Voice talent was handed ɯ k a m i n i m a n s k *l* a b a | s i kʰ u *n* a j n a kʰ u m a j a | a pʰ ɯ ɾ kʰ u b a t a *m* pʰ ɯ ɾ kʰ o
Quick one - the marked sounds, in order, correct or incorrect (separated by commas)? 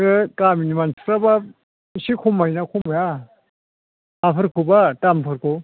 incorrect, incorrect, correct